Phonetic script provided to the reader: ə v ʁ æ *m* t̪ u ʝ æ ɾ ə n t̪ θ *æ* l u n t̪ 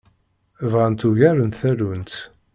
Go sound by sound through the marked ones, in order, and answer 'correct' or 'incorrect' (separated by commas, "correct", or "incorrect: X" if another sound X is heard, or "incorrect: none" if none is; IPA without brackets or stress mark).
incorrect: n, correct